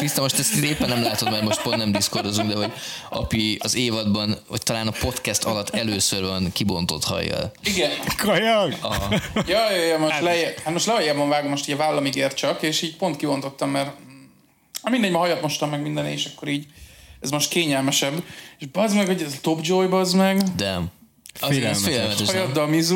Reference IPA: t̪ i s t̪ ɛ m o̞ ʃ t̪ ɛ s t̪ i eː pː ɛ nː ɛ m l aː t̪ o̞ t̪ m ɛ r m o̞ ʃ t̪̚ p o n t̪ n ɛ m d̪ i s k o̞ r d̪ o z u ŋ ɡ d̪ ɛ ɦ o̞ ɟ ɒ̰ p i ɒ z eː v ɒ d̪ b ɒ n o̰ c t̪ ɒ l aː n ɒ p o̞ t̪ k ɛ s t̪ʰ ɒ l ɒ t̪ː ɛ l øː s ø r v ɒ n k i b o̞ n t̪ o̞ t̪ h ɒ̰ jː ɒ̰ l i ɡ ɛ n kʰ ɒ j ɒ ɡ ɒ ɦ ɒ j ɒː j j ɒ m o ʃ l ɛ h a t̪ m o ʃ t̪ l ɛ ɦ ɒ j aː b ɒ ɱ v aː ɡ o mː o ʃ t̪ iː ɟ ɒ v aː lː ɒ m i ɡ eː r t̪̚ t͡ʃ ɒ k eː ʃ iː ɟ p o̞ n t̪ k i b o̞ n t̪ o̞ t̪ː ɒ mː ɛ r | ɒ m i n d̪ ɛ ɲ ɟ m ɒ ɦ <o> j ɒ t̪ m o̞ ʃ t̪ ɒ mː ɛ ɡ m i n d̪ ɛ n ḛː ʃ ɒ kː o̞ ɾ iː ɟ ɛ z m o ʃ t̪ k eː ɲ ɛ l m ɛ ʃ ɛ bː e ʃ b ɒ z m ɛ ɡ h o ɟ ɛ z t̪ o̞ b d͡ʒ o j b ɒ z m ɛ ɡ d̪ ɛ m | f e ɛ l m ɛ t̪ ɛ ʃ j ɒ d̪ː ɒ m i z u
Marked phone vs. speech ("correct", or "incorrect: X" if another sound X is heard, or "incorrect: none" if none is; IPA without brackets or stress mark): incorrect: ɒ